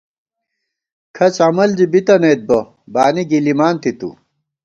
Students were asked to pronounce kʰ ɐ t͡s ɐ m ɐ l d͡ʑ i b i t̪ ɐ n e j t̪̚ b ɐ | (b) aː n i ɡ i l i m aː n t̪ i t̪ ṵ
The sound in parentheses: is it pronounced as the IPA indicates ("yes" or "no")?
yes